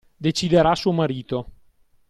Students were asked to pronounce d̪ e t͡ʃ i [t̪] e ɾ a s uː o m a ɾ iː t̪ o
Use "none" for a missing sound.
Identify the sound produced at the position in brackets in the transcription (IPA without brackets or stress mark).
d̪